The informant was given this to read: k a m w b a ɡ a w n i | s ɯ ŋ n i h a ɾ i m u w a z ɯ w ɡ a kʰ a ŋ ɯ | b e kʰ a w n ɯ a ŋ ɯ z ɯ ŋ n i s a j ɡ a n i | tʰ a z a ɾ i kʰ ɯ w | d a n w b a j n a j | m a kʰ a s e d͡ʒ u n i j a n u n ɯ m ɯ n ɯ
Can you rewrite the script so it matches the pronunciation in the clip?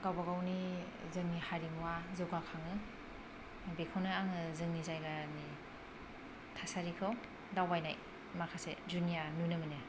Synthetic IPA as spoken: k a w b a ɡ a w n i | z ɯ ŋ n i h a ɾ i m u w a z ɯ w ɡ a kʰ a ŋ ɯ | b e kʰ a w n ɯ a ŋ ɯ z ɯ ŋ n i z a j ɡ a n i | tʰ a s a ɾ i kʰ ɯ w | d a w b a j n a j | m a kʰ a s e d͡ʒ u n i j a n u n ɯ m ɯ n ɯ